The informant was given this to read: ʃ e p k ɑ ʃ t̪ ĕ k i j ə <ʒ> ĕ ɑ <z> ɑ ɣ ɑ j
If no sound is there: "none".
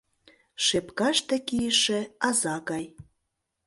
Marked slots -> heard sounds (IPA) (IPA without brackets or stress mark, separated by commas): ʃ, z